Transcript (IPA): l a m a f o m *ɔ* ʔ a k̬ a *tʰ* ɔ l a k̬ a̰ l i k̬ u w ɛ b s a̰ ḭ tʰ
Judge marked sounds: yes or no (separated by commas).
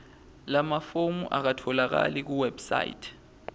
no, yes